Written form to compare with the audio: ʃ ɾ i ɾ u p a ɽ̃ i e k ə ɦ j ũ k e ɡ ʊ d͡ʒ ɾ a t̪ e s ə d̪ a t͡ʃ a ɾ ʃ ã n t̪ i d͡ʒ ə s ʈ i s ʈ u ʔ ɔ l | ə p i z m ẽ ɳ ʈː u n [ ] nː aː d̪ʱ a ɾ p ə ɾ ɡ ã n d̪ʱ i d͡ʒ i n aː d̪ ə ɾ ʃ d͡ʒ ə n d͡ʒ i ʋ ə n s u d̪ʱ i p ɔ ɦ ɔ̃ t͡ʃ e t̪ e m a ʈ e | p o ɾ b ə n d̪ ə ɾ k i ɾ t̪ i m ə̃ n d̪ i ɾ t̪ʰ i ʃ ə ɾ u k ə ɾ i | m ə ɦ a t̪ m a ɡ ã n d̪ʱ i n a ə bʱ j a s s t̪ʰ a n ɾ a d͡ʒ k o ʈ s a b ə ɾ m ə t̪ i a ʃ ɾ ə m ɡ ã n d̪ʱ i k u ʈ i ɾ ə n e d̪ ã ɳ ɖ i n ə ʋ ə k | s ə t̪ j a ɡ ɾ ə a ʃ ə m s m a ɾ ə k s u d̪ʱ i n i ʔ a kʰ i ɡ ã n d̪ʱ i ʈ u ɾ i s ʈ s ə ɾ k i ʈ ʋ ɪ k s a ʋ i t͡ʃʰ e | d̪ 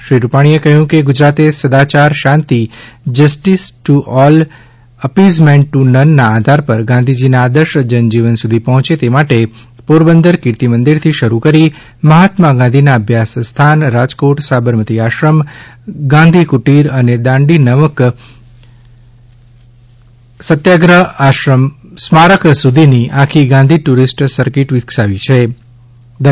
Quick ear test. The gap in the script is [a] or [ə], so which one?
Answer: ə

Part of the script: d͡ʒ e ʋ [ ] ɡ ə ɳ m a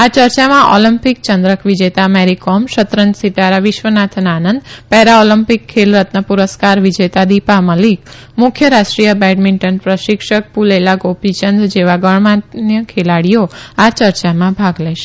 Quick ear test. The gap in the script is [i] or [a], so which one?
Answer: a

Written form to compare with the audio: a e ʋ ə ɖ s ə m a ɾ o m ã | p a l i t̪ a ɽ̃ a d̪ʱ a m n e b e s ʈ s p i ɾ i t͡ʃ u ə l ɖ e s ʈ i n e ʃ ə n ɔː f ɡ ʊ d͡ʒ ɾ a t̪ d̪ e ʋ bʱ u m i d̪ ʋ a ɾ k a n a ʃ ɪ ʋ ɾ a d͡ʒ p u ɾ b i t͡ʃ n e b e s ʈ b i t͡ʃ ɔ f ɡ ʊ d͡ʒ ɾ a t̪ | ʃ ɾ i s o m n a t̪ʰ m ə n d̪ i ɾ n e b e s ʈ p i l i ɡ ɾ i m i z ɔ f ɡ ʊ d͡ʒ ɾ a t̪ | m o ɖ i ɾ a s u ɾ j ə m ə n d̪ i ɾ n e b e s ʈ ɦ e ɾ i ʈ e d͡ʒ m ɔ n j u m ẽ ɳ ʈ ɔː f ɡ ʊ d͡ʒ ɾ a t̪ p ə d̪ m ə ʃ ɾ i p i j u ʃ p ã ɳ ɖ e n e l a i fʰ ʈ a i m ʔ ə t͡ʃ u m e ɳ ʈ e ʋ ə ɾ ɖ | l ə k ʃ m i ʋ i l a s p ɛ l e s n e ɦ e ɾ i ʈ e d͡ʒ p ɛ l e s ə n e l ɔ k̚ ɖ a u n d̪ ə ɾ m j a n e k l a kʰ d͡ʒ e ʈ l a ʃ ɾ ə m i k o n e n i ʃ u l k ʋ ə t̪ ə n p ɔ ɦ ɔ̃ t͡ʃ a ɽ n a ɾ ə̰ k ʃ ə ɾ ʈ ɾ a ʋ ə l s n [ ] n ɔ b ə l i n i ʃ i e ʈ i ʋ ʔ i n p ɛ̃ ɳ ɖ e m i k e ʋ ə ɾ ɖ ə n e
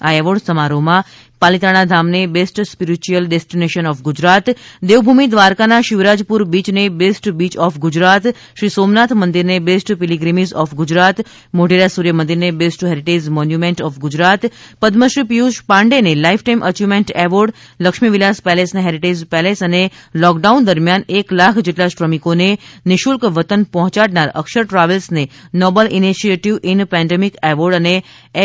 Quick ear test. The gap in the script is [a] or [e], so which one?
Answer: e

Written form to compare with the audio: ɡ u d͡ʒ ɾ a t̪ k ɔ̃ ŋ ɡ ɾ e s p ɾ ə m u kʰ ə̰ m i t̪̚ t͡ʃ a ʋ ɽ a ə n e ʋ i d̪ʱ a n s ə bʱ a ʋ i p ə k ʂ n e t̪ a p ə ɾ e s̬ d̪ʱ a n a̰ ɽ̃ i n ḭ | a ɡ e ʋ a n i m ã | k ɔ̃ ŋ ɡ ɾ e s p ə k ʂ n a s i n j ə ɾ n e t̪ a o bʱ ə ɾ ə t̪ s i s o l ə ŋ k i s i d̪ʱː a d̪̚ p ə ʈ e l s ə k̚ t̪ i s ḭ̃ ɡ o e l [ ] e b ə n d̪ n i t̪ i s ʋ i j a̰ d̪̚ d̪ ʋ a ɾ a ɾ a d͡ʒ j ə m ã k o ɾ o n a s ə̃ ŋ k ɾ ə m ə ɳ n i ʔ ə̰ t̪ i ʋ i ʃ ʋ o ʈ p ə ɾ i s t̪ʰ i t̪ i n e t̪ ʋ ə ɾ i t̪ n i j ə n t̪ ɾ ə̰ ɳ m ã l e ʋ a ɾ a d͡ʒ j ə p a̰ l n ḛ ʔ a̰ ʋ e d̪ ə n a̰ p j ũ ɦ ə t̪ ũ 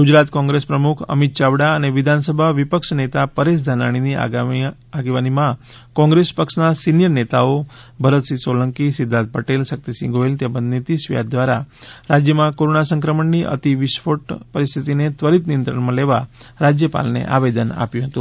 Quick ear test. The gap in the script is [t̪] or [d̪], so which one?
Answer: t̪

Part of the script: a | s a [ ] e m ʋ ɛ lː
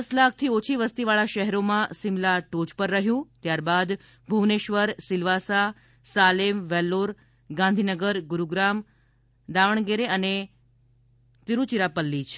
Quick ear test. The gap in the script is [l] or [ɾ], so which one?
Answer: l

